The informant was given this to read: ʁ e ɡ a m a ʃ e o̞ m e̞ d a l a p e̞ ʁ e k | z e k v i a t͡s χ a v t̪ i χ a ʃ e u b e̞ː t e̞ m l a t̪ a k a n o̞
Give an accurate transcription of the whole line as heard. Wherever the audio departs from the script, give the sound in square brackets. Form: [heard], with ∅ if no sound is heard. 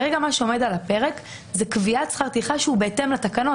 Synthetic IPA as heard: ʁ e ɡ a m a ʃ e o̞ m e̞ d a l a p e̞ ʁ e k | z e k v i a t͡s χ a [ʁ] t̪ i χ a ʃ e u b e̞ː t e̞ m l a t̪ a k a n o̞